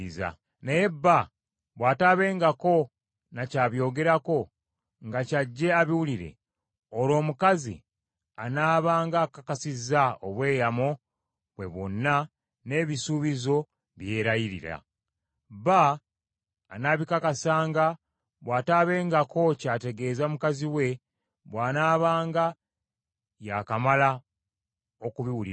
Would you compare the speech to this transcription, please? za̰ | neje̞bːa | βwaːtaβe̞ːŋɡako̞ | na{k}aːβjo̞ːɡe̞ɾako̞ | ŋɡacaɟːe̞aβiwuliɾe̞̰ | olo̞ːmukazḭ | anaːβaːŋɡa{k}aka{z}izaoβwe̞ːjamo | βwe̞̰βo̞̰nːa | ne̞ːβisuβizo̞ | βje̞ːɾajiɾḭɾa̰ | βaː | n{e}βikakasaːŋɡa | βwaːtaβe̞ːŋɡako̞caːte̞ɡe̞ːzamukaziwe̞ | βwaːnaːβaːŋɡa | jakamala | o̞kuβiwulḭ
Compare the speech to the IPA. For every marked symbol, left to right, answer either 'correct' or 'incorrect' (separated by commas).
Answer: incorrect, correct, incorrect, incorrect